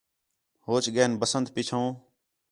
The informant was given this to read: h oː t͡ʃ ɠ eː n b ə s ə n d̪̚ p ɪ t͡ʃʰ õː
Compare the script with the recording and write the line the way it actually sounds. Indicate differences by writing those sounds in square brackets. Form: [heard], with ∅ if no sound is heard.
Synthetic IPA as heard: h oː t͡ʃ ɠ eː n b ə s ə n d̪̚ p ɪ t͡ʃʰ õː

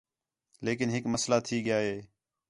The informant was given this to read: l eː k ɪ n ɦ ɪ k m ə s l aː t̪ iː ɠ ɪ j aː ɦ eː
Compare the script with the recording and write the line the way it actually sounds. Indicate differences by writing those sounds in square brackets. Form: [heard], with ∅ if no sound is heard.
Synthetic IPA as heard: l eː k ɪ n ɦ ɪ k m ə s l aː [t̪ʰ] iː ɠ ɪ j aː ɦ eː

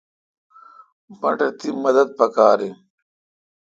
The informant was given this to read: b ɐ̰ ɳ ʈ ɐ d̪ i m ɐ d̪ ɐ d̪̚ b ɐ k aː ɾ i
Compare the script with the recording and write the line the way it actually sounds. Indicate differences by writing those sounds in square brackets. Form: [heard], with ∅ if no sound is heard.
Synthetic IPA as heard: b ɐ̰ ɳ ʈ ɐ [t̪] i m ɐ d̪ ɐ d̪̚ [p] ɐ k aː ɾ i

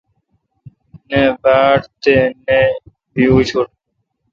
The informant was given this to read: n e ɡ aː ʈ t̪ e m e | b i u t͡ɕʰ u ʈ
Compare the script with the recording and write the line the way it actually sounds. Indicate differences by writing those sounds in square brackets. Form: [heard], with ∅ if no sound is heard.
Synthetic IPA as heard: n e [b] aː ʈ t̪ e [n] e | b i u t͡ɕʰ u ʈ

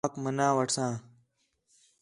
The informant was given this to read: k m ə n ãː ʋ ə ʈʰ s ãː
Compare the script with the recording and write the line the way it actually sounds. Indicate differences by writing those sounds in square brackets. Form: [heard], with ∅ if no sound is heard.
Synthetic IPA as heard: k m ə n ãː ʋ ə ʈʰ s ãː

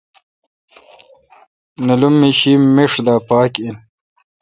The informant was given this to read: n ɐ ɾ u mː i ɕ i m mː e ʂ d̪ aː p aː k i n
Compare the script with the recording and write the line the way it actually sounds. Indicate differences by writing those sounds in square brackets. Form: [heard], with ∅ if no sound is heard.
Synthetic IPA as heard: n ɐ [l] u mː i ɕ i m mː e ʂ d̪ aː p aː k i n

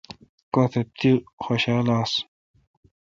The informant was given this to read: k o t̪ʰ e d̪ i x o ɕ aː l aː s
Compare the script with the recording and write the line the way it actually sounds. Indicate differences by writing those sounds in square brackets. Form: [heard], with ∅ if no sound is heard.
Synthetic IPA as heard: k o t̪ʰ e [t̪] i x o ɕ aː l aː s

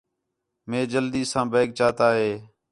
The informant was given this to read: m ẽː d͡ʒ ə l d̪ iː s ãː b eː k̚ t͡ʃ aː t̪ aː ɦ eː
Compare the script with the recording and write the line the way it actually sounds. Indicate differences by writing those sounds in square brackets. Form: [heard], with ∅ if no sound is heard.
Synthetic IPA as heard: m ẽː d͡ʒ ə l d̪ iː s ãː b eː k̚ t͡ʃ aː t̪ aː ɦ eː

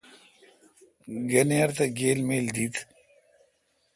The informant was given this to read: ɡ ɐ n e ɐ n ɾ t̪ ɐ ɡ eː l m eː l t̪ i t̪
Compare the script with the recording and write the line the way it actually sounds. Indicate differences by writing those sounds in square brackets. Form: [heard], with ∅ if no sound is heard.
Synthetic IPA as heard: ɡ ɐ n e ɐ [∅] ɾ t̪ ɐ ɡ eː l m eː l [d̪] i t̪

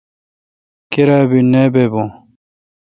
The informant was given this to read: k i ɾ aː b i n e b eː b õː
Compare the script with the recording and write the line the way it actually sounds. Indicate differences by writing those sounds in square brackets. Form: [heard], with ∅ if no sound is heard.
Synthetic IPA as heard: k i ɾ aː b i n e b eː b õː

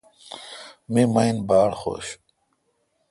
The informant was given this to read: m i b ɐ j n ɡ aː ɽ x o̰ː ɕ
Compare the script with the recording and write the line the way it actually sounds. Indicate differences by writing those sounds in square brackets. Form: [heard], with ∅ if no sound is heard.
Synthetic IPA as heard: m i [m] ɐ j n [b] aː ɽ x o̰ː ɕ

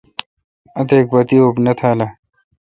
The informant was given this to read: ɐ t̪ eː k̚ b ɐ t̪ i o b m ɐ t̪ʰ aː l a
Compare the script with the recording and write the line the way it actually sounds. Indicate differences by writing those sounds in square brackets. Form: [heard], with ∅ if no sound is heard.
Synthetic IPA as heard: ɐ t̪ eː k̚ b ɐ t̪ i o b [n] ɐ t̪ʰ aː l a

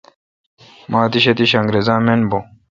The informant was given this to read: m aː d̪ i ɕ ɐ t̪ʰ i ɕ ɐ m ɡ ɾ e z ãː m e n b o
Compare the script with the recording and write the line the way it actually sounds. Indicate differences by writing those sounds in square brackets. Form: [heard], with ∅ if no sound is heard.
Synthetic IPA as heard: m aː [t̪] i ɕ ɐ [t̪] i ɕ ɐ [ŋ] ɡ ɾ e z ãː m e n b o

